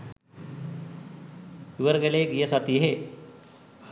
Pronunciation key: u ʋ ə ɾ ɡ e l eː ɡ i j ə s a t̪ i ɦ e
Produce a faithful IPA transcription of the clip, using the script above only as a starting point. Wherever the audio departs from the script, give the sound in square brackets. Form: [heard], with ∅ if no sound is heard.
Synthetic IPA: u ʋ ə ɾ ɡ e l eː ɡ i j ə s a t̪ i ɦ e